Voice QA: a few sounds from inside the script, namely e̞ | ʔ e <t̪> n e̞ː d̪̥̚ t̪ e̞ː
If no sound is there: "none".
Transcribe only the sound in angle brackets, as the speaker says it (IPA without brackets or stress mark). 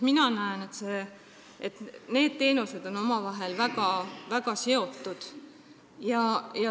t̪